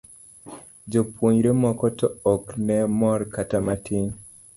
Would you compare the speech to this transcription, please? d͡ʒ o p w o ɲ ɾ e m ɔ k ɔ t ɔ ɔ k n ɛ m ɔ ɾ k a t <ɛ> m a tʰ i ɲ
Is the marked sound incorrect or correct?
incorrect